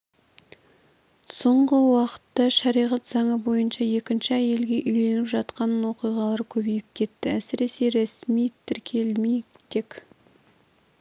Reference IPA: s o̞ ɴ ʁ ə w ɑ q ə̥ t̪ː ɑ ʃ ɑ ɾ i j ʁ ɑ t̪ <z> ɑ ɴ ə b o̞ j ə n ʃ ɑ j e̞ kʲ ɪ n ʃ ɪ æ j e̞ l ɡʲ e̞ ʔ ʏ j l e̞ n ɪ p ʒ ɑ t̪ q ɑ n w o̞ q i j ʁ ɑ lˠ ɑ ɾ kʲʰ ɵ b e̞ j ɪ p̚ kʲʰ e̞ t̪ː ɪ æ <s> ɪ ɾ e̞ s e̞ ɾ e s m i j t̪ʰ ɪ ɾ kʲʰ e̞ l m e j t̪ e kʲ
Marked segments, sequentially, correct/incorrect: correct, correct

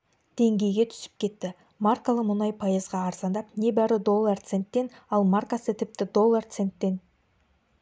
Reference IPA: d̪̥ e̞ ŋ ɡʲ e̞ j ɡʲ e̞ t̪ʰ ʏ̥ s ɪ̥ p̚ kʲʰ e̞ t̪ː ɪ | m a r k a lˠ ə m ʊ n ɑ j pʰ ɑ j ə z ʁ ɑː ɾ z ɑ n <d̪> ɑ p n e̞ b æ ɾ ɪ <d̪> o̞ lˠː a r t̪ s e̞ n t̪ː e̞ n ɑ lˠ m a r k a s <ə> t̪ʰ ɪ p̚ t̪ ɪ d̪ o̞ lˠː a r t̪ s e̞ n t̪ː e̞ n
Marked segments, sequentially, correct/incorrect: correct, correct, correct

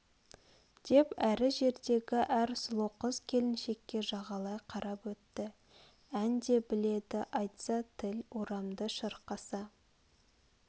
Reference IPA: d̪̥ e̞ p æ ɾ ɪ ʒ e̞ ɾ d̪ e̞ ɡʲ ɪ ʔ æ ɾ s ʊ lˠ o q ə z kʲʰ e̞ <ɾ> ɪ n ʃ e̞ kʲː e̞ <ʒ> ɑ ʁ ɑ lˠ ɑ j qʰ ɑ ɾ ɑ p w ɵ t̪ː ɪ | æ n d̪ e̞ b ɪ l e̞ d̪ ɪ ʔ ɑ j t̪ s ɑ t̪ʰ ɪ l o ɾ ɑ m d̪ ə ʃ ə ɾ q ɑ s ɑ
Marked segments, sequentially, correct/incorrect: incorrect: l, correct

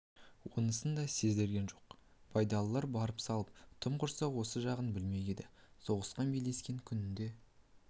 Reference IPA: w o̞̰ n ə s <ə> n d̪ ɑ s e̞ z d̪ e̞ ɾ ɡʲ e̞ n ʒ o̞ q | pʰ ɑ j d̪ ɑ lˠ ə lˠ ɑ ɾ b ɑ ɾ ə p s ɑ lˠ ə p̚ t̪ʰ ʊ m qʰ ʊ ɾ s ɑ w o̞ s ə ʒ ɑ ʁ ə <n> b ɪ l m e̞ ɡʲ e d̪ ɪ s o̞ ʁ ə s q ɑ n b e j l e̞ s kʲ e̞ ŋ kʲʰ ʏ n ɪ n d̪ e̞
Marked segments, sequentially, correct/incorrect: correct, correct

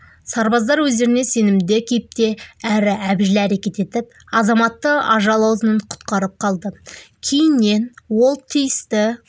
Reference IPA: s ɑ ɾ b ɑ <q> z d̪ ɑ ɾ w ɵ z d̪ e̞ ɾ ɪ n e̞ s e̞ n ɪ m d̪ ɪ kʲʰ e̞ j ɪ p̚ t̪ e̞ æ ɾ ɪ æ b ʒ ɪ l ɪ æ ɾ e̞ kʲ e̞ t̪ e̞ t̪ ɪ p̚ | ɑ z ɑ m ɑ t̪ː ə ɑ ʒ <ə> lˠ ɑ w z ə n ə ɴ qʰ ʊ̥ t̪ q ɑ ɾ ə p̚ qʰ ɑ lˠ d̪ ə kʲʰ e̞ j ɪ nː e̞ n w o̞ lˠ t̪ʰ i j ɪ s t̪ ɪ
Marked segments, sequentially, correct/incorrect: incorrect: none, incorrect: ɑ

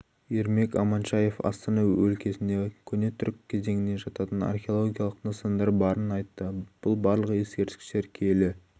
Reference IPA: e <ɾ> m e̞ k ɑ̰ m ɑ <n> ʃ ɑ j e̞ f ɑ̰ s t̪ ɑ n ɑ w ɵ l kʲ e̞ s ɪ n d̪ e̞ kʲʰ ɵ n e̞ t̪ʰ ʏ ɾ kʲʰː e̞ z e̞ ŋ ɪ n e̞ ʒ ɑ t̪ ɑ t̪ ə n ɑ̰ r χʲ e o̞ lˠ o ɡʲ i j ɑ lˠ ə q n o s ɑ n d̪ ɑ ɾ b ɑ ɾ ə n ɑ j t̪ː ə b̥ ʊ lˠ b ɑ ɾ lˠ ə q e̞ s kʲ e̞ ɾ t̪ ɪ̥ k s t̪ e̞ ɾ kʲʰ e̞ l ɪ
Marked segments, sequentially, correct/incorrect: correct, correct

